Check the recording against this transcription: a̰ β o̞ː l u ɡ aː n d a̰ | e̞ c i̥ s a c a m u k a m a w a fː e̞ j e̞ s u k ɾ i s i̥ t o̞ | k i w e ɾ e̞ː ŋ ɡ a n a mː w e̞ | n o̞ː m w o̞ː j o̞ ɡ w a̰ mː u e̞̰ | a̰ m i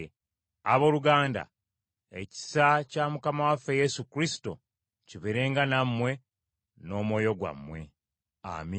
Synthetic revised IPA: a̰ β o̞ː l u ɡ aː n d a̰ | e̞ c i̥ s a c a m u k a m a w a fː e̞ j e̞ s u k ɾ i s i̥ t o̞ | c i β e ɾ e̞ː ŋ ɡ a n a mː w e̞ | n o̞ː m w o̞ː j o̞ ɡ w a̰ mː w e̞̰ | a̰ m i